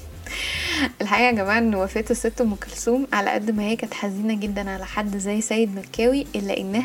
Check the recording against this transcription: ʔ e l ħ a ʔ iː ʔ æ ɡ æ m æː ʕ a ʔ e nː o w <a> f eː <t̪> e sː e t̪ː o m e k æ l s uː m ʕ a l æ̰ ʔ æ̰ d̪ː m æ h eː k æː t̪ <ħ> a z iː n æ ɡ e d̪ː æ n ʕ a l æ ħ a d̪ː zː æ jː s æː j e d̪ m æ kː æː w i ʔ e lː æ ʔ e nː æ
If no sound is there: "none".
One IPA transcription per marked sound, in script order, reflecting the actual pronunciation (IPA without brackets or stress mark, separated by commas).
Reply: æ, t̪, ħ